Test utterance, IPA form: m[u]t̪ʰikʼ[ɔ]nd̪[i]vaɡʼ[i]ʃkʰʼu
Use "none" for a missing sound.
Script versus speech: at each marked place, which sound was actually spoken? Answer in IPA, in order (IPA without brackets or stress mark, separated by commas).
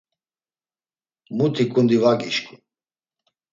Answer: u, u, i, i